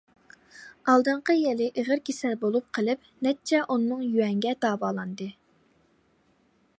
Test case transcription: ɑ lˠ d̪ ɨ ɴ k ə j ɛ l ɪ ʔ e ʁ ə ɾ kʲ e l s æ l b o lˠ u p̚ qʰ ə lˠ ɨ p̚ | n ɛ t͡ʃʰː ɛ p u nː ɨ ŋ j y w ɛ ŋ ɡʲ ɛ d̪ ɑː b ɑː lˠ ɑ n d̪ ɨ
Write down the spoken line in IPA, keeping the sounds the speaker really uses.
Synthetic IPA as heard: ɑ lˠ d̪ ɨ ɴ q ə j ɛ l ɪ ʔ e ʁ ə ɾ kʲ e s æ l b o lˠ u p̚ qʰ ə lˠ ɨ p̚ | n ɛ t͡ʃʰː ɛ ʔ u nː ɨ ŋ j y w ɛ ŋ ɡʲ ɛ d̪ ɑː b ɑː lˠ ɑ n d̪ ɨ